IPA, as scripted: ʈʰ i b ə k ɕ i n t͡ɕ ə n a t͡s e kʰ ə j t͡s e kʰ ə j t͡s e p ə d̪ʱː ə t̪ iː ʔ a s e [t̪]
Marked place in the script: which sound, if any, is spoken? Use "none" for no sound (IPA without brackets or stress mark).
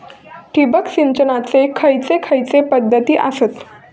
t̪